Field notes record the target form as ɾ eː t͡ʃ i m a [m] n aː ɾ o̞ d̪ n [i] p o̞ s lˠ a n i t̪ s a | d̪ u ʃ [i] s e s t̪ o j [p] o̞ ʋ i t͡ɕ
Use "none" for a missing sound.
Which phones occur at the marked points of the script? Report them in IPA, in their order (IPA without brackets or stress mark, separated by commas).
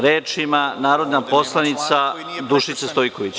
none, a, i, k